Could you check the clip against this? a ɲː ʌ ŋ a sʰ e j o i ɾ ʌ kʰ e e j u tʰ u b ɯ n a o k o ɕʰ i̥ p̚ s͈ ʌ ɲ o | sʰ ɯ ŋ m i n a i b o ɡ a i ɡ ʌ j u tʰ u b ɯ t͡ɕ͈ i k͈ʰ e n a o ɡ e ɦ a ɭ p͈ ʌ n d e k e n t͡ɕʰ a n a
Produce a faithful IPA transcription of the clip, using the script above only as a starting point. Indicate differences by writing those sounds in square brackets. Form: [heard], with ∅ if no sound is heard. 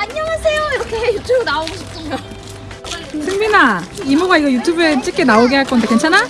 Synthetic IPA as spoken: a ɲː ʌ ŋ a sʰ e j o i ɾ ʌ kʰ e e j u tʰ u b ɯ n a o [ɡ] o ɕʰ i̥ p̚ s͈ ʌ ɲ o | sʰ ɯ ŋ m i n a i [m] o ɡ a i ɡ ʌ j u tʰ u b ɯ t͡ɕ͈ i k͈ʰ e n a o ɡ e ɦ a ɭ [k͈] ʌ n d e k e n t͡ɕʰ a n a